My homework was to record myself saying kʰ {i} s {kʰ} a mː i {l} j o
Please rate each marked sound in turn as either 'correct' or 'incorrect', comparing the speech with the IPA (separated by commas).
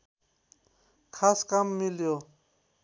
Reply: incorrect, incorrect, correct